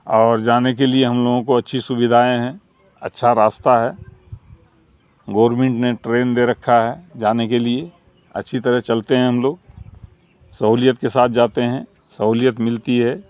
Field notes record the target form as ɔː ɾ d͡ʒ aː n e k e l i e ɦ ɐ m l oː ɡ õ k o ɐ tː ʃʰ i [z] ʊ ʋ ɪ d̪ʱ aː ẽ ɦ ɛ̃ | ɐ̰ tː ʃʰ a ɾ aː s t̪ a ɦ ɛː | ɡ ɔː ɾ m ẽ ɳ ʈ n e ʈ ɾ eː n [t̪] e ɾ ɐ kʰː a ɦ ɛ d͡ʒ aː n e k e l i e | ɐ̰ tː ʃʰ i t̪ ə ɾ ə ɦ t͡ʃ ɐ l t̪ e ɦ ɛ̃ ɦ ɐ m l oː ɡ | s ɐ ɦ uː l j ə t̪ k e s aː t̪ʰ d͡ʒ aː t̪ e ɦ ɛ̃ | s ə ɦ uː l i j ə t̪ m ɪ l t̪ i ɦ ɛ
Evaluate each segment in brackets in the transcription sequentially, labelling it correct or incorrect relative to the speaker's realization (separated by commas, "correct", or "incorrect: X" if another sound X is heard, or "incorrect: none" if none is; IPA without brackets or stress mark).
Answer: incorrect: s, incorrect: d̪